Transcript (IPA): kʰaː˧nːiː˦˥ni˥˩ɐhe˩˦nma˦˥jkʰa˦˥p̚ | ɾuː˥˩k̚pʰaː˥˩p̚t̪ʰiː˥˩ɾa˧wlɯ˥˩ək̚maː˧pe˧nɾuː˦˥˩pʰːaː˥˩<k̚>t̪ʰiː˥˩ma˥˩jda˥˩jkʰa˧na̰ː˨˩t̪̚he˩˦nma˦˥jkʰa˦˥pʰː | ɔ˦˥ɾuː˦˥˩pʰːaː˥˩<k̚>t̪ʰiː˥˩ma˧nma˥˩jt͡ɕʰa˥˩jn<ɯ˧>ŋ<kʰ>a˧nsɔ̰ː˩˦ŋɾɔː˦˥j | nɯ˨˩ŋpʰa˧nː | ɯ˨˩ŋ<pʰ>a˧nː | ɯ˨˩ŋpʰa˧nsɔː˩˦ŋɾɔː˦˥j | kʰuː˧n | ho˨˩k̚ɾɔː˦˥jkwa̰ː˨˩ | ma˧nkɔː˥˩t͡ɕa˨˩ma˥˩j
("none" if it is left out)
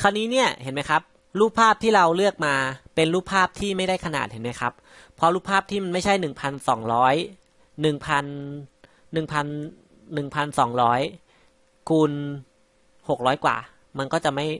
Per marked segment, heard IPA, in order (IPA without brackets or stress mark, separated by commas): p̚, p̚, ɯ˨˩, pʰ, pʰ